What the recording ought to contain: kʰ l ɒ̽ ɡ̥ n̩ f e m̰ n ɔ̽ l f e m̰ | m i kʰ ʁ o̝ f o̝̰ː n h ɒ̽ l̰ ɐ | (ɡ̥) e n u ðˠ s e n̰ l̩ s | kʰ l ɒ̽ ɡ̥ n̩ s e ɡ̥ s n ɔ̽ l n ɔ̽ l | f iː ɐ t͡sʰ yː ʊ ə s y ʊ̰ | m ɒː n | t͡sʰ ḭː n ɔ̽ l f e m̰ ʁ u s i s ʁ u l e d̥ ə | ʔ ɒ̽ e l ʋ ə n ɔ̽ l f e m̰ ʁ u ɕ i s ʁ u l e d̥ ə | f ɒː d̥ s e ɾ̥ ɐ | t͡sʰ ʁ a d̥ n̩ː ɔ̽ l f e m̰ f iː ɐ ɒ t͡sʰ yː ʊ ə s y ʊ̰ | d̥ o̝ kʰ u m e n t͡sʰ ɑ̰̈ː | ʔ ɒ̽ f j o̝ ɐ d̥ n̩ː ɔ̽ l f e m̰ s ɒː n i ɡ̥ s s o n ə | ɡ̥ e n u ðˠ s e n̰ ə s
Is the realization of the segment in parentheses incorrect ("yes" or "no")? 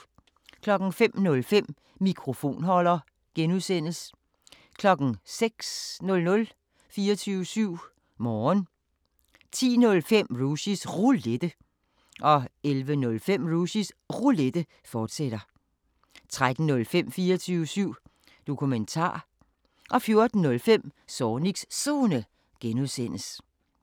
no